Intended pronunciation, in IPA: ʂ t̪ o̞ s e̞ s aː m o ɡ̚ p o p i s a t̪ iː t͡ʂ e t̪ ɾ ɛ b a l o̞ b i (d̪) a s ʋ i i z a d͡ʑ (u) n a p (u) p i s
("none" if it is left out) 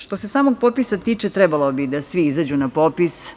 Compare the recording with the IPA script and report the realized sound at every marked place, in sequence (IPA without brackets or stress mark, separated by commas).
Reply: d̪, u, o